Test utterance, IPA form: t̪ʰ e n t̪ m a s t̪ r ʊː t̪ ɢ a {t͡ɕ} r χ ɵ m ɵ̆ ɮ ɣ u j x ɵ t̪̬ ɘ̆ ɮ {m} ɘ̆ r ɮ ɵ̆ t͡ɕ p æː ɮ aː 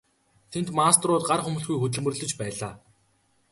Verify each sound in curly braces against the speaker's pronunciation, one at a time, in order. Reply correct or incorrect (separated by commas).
incorrect, correct